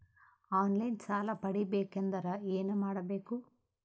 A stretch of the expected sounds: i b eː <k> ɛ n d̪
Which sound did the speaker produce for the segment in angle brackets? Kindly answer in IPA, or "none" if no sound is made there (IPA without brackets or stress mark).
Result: k